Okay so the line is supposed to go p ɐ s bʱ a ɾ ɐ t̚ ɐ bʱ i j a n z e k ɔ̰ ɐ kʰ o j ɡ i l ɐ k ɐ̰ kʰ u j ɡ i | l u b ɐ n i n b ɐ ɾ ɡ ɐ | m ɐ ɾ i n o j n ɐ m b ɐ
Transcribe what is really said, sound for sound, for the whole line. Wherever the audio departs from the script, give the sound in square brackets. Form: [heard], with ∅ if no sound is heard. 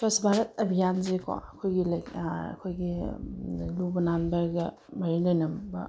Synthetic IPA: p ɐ s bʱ a ɾ ɐ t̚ ɐ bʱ i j a n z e k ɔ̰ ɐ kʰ o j ɡ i l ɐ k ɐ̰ kʰ [o] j ɡ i | l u b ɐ n [a] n b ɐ ɾ ɡ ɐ | m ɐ ɾ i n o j n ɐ m b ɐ